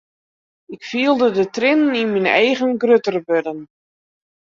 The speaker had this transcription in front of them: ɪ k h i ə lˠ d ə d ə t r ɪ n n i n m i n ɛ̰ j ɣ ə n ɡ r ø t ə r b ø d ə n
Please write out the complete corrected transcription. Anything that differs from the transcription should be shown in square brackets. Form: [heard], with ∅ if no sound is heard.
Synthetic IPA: ɪ k [f] i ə lˠ d ə d ə t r ɪ n n i n m i n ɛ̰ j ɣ ə n ɡ r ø t ə r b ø d ə n

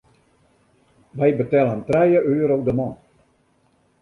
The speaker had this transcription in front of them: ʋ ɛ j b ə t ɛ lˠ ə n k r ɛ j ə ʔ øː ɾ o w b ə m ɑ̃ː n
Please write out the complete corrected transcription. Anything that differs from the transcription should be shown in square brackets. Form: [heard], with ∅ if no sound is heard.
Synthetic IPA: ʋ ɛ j b ə t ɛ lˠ ə n [t] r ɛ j ə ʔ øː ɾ o w [d] ə m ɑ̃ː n

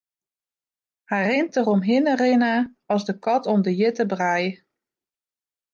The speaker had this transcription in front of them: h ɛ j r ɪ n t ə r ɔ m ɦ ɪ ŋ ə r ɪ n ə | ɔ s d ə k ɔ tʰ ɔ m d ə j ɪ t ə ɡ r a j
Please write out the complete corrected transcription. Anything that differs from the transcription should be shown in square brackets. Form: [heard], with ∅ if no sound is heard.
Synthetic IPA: h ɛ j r ɪ n t ə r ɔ m ɦ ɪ [n] ə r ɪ n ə | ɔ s d ə k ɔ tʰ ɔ m d ə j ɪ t ə [b] r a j

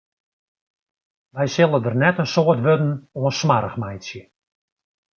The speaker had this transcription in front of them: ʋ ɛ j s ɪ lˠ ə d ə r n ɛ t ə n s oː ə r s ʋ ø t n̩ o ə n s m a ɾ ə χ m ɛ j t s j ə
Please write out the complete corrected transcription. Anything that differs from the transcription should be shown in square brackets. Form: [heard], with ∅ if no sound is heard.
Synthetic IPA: ʋ ɛ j s ɪ lˠ ə d ə r n ɛ t ə n s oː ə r [t] ʋ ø [d] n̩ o ə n s m a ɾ ə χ m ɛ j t s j ə

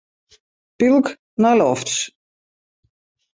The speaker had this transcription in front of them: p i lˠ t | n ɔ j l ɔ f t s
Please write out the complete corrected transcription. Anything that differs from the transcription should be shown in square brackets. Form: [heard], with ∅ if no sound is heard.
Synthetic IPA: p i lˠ [k] | n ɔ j l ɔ f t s

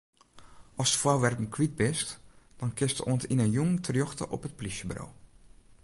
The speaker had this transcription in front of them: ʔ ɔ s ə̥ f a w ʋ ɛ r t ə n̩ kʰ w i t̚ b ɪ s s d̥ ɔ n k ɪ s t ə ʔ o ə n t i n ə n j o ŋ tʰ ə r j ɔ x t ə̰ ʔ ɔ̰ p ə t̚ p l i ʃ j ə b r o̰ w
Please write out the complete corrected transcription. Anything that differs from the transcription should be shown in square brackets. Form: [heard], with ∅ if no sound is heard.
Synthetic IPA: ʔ ɔ s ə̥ f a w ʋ ɛ r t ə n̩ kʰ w i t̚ b ɪ s [t] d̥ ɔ n k ɪ s t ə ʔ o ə n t i n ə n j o ŋ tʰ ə r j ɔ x t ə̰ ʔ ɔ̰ p ə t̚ p l i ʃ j ə b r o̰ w

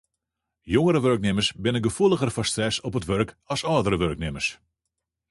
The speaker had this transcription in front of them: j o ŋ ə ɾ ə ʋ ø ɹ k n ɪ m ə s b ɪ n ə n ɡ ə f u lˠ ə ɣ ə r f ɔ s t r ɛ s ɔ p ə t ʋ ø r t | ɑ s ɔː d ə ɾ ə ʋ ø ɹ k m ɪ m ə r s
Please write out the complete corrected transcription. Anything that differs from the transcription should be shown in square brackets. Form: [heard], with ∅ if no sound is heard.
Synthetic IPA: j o ŋ ə ɾ ə ʋ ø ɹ k n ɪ m ə s b ɪ n ə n ɡ ə f u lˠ ə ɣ ə r f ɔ s t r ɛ s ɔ p ə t ʋ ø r [k] | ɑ s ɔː d ə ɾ ə ʋ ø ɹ k [n] ɪ m ə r s

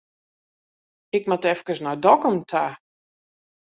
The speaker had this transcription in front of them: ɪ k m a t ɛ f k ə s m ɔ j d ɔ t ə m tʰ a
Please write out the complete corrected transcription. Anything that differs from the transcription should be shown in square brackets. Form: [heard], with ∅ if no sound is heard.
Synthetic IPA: ɪ k m a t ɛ f k ə s [n] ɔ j d ɔ [k] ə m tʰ a

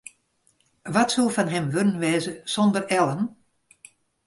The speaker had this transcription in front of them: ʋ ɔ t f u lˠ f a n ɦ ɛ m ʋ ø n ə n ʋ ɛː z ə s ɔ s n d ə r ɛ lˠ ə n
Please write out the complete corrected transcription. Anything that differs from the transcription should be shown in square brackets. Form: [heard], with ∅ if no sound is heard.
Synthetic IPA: ʋ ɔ t [s] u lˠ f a n ɦ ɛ m ʋ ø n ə n ʋ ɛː z ə s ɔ [∅] n d ə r ɛ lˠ ə n

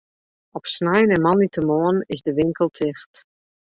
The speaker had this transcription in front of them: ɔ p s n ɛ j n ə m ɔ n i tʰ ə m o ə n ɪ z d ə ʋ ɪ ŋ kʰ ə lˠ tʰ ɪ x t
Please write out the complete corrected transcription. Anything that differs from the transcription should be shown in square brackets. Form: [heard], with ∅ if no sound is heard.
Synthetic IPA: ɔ p s n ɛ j n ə m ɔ n i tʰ ə m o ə n ɪ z d ə ʋ ɪ ŋ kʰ ə lˠ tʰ ɪ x t

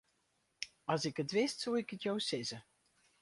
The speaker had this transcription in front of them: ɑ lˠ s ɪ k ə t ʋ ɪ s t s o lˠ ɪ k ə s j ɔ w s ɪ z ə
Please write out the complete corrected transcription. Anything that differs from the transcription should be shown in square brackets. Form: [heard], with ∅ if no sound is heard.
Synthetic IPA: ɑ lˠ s ɪ k ə t ʋ ɪ s t s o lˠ ɪ k ə [t] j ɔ w s ɪ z ə

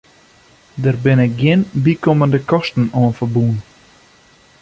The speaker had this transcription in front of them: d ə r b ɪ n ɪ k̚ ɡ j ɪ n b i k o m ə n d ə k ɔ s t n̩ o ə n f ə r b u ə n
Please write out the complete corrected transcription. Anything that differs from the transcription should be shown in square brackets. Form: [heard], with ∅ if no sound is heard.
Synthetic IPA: d ə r b ɪ n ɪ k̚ ɡ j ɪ n b i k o m ə n d ə k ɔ s t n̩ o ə n f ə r b u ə n

